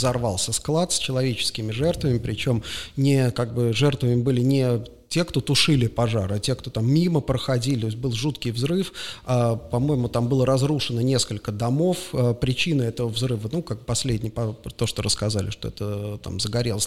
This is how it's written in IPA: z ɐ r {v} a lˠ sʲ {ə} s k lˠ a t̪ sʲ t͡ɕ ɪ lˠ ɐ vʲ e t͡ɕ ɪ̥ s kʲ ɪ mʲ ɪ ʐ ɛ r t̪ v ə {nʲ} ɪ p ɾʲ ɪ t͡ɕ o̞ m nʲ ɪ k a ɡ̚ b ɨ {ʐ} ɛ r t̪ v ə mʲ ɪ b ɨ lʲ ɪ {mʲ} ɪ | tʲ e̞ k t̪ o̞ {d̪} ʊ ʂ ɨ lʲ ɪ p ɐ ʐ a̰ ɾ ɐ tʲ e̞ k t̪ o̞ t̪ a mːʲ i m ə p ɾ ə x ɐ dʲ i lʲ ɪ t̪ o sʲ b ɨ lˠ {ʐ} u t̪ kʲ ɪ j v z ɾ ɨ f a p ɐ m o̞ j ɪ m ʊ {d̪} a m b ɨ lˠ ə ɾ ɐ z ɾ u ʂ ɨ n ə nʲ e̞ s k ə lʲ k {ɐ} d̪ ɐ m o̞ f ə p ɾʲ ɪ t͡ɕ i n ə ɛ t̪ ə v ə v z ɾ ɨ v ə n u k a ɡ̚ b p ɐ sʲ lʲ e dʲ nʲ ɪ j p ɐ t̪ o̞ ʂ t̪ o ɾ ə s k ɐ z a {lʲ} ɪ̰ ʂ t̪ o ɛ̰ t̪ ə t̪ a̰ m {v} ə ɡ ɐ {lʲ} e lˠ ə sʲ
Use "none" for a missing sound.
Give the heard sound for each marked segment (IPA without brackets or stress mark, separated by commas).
v, ə, mʲ, ʐ, nʲ, t̪, ʐ, t̪, ə, lʲ, z, ɾʲ